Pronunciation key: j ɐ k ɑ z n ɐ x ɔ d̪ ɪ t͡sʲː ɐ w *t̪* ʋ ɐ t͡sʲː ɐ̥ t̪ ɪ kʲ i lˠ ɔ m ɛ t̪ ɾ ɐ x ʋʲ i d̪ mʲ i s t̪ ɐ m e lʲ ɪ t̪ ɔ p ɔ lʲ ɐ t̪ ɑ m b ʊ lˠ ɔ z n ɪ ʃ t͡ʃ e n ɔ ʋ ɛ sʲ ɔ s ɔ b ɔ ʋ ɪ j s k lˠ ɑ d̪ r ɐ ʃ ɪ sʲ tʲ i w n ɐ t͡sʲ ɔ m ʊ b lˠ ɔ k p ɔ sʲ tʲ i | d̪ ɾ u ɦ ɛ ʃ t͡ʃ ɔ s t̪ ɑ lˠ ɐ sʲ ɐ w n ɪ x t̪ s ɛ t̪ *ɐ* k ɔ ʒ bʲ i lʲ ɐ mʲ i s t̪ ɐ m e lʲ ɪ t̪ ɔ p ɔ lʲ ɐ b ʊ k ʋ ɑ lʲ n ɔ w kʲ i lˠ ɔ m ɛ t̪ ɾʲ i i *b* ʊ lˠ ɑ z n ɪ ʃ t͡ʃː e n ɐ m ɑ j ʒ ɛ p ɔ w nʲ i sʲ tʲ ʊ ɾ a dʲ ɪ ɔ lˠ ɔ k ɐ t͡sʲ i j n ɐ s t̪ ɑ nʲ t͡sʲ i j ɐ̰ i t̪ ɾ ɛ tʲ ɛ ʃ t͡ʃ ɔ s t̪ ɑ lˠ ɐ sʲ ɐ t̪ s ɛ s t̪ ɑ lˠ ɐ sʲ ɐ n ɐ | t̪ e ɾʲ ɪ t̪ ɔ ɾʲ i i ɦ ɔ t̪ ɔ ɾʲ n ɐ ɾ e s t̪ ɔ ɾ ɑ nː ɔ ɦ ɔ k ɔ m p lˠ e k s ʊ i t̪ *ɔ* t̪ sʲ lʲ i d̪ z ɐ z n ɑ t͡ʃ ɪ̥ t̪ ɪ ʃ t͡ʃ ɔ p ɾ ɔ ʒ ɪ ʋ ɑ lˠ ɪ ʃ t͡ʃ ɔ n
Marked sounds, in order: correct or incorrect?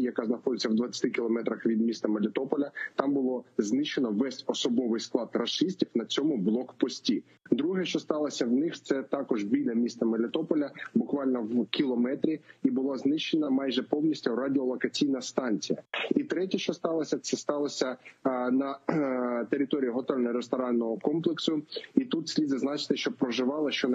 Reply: incorrect: d̪, incorrect: ɑ, correct, incorrect: u

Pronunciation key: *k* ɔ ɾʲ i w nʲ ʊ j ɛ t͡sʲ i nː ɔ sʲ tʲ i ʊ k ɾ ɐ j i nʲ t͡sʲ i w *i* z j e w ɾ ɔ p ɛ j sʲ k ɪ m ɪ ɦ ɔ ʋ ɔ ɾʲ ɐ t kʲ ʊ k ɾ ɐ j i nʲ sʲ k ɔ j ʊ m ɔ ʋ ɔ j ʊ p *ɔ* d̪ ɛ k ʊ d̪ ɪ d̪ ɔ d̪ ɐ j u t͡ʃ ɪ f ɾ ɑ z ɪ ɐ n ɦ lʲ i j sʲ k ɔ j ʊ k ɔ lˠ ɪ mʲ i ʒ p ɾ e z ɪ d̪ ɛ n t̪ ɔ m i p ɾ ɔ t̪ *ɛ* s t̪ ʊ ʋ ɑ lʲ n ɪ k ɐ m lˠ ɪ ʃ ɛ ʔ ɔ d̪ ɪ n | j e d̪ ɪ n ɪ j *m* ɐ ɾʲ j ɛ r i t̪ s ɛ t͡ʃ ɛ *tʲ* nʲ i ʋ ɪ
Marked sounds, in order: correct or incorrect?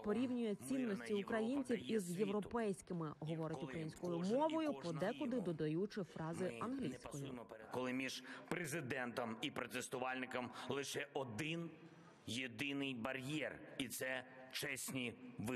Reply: incorrect: p, correct, correct, incorrect: e, incorrect: b, incorrect: sʲ

